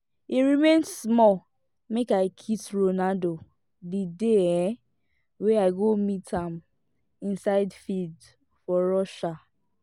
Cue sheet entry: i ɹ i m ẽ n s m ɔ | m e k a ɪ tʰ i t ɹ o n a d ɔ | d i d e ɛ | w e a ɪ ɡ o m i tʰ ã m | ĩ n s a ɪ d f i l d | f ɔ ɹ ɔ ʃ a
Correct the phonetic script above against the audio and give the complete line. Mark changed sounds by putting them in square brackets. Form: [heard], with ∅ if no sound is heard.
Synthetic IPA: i ɹ i m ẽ n s m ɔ | m e k a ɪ [kʰ] i t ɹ o n a d [o] | d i d e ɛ | w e a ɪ ɡ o m i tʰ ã m | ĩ n s a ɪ d f i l d | f ɔ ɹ ɔ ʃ a